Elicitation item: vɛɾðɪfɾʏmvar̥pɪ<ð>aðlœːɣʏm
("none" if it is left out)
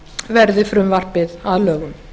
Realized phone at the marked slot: ð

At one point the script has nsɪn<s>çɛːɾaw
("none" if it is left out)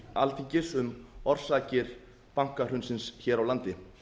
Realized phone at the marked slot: s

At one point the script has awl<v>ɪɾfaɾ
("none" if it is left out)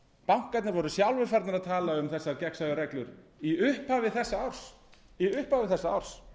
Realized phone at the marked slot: v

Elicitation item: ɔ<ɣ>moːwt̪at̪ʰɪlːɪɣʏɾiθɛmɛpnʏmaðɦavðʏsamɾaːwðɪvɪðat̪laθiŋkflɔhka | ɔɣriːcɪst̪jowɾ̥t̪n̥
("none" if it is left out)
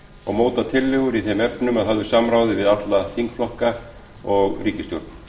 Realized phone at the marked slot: ɣ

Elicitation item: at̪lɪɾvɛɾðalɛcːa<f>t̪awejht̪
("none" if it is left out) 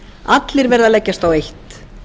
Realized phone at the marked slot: s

